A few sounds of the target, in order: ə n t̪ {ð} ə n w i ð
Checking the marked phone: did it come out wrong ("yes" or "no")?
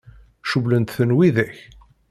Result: yes